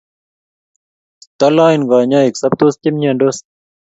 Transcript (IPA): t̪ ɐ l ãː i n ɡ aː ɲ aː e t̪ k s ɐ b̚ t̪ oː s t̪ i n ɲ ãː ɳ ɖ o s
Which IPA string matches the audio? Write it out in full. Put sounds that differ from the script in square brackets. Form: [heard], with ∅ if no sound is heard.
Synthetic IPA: t̪ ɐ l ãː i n ɡ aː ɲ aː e [∅] k s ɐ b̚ t̪ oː s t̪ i [m] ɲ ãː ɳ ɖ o s